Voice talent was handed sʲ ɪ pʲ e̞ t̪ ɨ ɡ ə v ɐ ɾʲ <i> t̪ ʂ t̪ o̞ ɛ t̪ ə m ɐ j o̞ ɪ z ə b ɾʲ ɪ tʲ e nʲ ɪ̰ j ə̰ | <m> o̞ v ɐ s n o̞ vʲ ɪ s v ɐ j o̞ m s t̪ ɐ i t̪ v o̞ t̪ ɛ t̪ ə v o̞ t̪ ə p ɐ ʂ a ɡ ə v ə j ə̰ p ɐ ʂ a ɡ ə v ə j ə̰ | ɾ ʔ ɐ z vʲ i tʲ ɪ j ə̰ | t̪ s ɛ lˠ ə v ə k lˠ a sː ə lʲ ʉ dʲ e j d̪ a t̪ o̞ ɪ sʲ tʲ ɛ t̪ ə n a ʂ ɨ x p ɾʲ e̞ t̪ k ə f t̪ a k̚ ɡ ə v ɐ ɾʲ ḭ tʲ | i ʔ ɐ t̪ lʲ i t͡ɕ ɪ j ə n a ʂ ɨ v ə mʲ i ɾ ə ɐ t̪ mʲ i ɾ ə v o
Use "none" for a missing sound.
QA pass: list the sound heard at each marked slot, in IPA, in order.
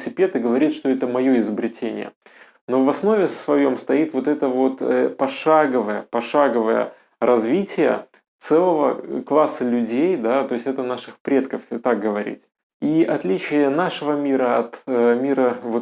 i, n

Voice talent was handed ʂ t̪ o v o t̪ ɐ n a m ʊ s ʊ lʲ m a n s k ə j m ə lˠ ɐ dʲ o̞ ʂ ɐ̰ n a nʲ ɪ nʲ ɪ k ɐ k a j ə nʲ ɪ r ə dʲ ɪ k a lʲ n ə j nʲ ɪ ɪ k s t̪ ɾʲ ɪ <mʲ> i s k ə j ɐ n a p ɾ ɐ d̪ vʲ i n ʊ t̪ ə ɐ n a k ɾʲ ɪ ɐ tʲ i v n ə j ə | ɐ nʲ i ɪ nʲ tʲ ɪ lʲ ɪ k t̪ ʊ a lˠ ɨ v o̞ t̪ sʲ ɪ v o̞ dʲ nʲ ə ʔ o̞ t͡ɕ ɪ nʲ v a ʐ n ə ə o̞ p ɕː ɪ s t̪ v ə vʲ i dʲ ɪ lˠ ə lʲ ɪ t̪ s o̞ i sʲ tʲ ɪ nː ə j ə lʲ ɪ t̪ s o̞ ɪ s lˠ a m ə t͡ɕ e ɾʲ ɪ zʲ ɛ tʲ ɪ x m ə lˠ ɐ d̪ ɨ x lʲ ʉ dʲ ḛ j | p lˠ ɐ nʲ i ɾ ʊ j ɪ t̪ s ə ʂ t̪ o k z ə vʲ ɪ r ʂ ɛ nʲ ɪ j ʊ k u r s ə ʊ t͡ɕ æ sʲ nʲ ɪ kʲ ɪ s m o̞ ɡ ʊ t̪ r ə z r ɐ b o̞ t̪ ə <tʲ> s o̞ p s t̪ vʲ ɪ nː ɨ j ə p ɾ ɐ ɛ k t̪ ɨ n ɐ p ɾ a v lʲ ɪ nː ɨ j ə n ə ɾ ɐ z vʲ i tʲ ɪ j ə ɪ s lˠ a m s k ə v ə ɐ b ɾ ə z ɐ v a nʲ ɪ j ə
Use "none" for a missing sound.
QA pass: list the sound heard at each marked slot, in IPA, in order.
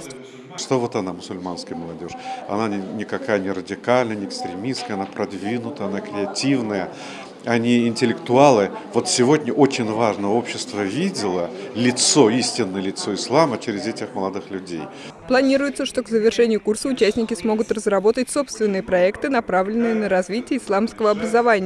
mʲ, tʲ

